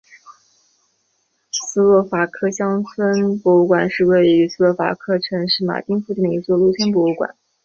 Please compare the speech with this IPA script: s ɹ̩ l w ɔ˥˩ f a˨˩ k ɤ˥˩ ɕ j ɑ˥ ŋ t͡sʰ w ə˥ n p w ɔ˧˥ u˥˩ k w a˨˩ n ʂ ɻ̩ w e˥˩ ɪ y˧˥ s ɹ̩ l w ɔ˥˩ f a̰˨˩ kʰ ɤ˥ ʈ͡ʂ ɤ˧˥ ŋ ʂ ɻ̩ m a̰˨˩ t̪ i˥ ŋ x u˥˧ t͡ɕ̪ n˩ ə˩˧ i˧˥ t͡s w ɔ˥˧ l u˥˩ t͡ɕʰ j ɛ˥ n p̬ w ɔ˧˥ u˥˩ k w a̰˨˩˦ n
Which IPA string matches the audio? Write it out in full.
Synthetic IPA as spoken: s ɹ̩ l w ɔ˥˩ f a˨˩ kʰ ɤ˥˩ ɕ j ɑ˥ ŋ t͡sʰ w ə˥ n p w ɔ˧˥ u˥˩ k w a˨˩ n ʂ ɻ̩ w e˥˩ ɪ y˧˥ s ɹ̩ l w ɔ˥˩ f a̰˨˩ kʰ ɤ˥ ʈ͡ʂʰ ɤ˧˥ ŋ ʂ ɻ̩ m a̰˨˩ t̪ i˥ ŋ f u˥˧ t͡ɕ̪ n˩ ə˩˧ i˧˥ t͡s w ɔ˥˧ l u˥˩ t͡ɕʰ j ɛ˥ n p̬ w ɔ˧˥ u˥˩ k w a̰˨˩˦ n